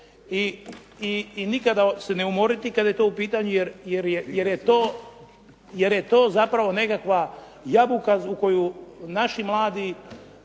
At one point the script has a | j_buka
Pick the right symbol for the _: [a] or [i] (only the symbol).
a